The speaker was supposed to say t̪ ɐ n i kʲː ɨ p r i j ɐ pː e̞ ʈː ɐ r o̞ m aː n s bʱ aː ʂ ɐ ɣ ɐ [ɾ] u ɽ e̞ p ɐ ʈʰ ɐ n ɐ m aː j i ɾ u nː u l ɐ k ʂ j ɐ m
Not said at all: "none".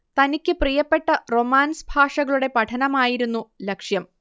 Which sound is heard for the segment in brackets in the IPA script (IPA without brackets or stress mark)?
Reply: ɭ